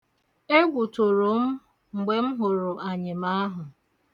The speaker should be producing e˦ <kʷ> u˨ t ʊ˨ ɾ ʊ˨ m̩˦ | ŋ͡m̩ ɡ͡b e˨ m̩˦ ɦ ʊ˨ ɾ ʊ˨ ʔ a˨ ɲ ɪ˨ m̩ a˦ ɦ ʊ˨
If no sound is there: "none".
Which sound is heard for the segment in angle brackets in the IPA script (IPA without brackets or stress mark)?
ɡʷ